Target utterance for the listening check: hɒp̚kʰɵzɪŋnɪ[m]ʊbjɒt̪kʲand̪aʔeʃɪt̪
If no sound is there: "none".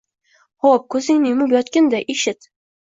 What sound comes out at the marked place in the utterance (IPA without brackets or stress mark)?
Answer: m